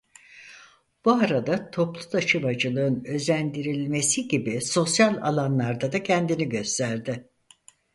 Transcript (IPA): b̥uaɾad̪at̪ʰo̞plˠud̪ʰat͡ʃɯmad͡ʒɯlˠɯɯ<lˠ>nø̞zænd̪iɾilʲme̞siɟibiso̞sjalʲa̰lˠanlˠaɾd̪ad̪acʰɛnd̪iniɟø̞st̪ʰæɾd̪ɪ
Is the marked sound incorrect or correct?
incorrect